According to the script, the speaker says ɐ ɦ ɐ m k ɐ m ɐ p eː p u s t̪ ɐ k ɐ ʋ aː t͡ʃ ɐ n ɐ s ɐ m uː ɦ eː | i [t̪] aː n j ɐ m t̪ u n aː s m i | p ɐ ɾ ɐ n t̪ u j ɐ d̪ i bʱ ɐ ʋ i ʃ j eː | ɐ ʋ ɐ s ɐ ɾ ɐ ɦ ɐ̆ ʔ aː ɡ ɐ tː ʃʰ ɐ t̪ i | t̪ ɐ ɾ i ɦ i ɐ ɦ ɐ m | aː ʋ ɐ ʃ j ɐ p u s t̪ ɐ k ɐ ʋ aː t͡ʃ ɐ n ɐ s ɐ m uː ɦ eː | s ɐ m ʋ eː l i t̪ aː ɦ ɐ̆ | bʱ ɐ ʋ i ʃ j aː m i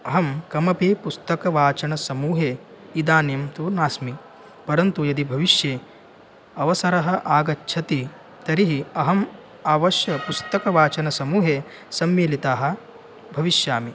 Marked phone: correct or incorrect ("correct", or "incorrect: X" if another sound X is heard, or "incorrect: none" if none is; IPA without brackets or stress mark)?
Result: incorrect: d̪